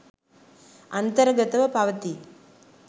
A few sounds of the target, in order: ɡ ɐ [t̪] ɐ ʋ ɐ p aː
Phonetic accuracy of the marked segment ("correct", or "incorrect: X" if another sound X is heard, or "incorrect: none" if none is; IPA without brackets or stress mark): correct